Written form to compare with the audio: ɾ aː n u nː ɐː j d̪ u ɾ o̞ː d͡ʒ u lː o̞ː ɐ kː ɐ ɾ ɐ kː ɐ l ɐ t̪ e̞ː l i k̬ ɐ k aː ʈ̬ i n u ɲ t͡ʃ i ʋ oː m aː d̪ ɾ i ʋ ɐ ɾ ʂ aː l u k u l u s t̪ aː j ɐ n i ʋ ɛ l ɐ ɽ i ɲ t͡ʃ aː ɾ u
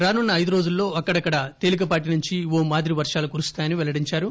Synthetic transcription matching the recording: ɾ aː n u nː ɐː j d̪ u ɾ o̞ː d͡ʒ u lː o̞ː ɐ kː ɐ ɽ ɐ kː ɐ ɽ ɐ t̪ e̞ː l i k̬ ɐ p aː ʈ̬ i n u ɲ t͡ʃ i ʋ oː m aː d̪ ɾ i ʋ ɐ ɾ ʂ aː l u k u ɾ u s t̪ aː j ɐ n i ʋ ɛ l ɐ ɽ i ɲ t͡ʃ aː ɾ u